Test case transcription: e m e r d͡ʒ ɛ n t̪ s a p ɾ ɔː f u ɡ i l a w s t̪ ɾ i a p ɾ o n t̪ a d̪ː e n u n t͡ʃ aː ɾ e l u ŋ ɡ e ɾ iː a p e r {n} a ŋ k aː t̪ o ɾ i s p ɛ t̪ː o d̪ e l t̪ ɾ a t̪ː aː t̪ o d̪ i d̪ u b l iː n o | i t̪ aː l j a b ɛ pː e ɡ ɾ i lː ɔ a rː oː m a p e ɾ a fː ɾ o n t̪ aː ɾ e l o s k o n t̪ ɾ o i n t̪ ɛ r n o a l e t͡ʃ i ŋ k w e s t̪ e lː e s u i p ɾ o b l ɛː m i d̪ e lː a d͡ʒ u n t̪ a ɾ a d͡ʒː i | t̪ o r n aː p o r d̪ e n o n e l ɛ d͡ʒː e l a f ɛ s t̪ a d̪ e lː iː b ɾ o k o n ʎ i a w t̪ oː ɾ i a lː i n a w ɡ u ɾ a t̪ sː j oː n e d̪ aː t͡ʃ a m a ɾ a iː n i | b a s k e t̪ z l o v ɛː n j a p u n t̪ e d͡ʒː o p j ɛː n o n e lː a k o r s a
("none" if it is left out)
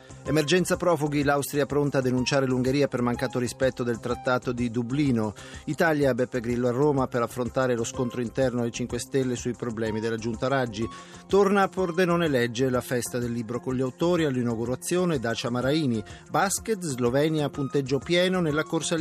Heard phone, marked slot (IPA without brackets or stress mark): m